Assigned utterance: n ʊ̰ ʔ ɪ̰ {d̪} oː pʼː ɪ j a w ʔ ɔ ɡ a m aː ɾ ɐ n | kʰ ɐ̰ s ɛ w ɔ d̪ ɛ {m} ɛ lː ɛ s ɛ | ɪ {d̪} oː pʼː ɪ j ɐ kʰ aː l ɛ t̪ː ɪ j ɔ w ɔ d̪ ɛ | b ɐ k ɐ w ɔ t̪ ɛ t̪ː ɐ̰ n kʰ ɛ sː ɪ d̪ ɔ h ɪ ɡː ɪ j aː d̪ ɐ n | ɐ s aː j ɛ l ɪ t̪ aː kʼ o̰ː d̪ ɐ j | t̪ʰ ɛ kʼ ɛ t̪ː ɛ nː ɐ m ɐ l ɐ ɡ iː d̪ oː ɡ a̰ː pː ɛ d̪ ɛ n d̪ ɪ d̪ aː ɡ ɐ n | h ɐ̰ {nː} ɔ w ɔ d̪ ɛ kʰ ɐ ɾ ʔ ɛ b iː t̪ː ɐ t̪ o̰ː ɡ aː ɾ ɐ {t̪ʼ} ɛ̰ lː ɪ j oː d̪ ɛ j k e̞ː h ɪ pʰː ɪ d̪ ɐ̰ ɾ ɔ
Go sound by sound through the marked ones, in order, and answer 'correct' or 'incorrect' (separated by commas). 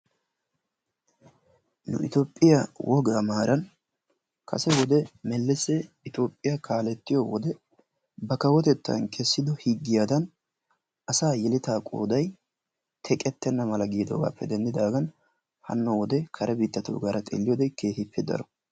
incorrect, correct, incorrect, correct, correct